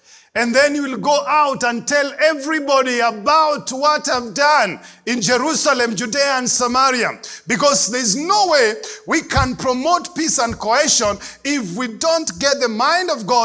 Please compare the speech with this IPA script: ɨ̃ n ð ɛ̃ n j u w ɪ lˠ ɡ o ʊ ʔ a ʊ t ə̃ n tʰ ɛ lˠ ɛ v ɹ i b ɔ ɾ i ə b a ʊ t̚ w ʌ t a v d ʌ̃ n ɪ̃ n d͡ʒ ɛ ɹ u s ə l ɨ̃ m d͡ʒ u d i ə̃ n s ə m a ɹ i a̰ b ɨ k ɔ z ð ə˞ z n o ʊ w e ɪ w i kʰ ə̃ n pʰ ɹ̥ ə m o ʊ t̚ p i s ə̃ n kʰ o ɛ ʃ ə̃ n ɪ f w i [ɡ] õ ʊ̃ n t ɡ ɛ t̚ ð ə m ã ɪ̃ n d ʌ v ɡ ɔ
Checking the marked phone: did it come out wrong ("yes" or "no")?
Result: yes